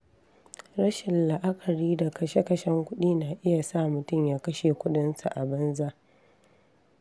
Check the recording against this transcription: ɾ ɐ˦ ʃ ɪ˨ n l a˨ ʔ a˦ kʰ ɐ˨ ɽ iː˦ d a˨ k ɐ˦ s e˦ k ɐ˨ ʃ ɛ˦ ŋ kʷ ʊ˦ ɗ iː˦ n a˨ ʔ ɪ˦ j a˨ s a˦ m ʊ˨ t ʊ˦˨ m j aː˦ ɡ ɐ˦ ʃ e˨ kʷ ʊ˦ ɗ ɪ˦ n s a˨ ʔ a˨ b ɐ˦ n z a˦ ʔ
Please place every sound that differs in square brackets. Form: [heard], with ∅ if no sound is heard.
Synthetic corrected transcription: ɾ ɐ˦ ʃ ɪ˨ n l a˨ ʔ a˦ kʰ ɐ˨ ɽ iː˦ d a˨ k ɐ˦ [ʃ] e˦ k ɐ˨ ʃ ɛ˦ ŋ kʷ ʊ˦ ɗ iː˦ n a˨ ʔ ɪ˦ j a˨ s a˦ m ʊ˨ t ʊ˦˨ m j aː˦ [k] ɐ˦ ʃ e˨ kʷ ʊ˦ ɗ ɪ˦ n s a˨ ʔ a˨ b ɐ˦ n z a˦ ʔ